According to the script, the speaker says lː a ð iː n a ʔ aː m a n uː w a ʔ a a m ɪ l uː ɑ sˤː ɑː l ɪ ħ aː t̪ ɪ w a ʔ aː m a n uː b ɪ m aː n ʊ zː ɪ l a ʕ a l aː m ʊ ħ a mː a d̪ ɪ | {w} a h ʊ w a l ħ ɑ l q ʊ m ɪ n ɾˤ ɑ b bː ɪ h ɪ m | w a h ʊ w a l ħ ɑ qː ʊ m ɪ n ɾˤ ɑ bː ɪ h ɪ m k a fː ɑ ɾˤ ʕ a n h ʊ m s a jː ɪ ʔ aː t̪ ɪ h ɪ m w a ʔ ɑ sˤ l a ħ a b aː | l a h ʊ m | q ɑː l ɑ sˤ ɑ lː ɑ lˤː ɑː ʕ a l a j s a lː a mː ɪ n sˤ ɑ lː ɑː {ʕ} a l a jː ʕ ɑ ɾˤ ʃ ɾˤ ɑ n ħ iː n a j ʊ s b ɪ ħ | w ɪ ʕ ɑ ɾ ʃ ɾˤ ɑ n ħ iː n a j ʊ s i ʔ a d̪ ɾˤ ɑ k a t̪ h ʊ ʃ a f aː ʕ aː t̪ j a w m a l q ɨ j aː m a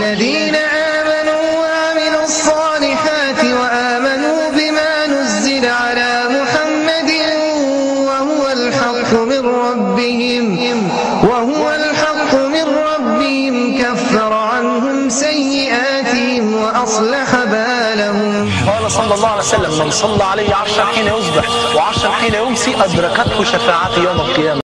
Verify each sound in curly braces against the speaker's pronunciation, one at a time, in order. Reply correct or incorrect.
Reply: correct, correct

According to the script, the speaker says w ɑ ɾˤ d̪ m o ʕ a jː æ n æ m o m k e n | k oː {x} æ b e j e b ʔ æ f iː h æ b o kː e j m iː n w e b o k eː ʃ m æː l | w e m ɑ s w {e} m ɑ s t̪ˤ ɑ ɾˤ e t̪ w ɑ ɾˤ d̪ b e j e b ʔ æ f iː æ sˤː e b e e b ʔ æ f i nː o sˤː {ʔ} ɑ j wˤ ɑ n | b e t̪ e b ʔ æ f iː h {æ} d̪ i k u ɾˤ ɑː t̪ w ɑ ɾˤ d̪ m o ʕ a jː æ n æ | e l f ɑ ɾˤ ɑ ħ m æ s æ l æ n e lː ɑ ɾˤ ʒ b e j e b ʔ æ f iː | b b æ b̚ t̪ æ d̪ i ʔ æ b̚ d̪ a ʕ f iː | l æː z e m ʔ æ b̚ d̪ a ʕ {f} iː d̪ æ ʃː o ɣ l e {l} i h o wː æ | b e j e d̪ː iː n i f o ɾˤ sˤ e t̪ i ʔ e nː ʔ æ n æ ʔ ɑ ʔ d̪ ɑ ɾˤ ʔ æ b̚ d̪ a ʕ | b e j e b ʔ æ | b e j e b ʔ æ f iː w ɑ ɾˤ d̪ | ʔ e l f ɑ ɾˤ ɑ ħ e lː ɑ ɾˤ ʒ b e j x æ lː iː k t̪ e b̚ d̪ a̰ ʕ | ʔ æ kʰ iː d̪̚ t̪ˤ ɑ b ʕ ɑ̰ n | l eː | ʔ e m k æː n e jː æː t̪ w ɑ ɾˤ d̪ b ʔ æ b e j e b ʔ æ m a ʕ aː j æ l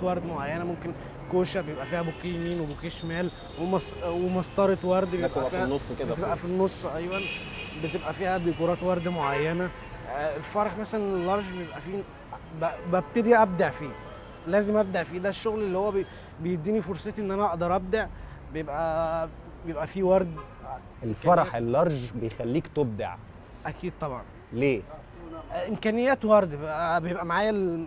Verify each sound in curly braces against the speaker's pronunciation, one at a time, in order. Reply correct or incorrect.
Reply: incorrect, correct, correct, correct, correct, incorrect

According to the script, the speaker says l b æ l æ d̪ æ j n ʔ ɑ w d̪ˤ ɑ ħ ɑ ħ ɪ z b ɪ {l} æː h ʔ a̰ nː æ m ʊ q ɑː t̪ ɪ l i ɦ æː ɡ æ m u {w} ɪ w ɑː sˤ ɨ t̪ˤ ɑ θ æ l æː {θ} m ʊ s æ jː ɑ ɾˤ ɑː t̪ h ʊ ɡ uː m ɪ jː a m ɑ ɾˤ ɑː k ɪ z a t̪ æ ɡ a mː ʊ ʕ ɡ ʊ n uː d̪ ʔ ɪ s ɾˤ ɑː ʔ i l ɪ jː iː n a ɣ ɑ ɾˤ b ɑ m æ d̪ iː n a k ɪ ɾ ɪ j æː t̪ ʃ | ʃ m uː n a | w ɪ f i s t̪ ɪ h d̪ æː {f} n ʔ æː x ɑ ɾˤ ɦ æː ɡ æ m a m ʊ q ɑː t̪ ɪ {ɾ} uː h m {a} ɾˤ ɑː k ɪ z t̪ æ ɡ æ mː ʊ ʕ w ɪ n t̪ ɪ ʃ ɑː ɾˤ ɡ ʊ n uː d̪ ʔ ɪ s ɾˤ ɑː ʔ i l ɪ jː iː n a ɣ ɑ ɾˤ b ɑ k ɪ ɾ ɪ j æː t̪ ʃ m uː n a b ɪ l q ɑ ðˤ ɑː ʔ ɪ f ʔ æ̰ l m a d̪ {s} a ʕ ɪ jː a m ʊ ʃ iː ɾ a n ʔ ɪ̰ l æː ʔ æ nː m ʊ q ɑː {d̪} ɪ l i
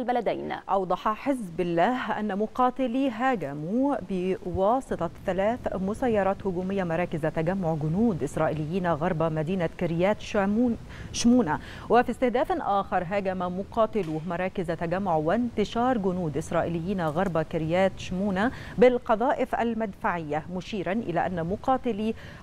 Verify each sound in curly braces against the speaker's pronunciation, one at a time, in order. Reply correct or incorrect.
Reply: incorrect, incorrect, correct, correct, incorrect, incorrect, incorrect, incorrect

